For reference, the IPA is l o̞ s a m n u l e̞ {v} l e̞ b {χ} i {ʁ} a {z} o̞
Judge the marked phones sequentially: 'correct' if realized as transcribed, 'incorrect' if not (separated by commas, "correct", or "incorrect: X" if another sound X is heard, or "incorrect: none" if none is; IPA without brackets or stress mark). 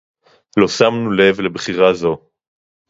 correct, correct, correct, correct